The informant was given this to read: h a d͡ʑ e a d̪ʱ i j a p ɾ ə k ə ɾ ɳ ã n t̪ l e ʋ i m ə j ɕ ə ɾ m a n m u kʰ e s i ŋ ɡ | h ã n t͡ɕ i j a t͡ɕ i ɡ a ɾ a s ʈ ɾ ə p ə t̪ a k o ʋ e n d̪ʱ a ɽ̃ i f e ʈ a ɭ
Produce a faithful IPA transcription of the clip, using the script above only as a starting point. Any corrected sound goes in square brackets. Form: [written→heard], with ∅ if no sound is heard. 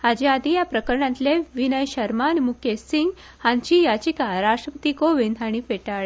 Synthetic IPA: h a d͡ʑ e a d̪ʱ i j a p ɾ ə k ə ɾ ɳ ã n t̪ l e ʋ i [m→n] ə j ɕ ə ɾ m a n m u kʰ e s i ŋ ɡ | h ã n t͡ɕ i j a t͡ɕ i [ɡ→k] a ɾ a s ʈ ɾ ə p ə t̪ [a→i] k o ʋ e n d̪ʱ a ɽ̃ i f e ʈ a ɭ